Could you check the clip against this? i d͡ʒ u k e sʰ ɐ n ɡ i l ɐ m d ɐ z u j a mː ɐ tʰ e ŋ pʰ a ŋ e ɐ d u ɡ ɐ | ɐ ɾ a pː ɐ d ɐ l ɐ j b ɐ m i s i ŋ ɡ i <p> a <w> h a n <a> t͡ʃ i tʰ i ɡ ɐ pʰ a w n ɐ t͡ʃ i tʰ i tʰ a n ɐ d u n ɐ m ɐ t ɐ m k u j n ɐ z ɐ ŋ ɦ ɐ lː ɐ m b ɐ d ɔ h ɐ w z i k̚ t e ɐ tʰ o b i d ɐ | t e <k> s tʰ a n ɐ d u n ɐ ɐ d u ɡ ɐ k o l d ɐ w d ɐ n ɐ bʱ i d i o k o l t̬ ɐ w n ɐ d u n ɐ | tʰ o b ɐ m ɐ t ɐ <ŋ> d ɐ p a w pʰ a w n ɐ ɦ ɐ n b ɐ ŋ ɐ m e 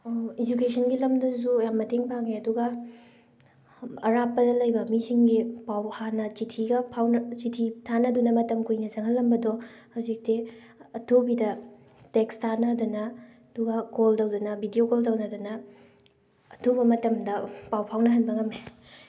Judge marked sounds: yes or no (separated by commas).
yes, yes, no, yes, no